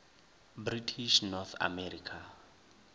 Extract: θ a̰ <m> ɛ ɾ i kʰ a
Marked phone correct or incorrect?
correct